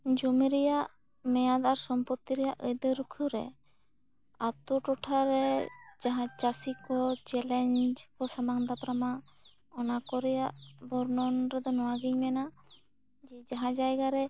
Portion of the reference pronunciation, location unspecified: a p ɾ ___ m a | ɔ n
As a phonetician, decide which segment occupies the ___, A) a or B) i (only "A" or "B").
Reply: A